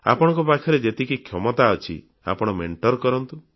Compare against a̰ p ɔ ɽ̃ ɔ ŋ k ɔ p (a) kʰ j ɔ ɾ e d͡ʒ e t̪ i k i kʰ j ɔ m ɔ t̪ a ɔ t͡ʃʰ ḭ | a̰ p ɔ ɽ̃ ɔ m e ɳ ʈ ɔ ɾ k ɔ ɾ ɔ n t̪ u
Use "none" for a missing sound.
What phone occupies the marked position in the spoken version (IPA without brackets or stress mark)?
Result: a